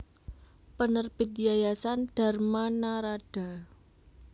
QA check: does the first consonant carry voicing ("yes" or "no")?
no